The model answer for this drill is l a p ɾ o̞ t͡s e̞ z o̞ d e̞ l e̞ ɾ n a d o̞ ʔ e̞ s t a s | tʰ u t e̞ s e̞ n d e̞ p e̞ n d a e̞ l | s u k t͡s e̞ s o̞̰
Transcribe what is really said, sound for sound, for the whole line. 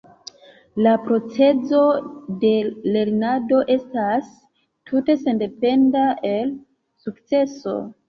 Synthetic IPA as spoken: l a p ɾ o̞ t͡s e̞ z o̞ d e̞ l e̞ ɾ n a d o̞ ʔ e̞ s t a s | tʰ u t e̞ s e̞ n d e̞ p e̞ n d a e̞ l | s u k t͡s e̞ s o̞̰